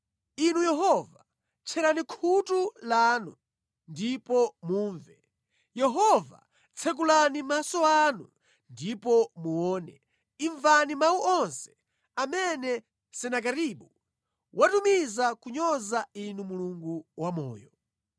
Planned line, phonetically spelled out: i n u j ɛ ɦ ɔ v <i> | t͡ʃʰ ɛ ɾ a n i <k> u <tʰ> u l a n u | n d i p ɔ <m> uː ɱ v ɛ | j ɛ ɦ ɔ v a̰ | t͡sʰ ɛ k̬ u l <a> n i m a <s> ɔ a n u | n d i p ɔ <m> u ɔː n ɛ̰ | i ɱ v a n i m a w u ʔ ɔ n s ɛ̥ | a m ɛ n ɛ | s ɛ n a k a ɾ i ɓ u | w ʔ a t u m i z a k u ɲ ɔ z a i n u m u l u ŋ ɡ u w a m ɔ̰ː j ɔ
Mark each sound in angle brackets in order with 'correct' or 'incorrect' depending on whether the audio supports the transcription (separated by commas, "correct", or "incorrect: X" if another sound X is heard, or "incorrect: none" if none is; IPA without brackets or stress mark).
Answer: incorrect: a, incorrect: kʰ, incorrect: t, correct, correct, correct, correct